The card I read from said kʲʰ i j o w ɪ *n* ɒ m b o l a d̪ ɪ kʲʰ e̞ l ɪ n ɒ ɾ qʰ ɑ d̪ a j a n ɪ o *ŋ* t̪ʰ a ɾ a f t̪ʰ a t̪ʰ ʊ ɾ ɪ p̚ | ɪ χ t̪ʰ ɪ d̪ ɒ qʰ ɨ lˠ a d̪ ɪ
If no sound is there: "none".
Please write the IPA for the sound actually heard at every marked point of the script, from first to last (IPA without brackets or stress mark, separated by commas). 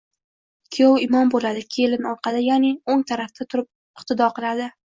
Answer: m, ŋ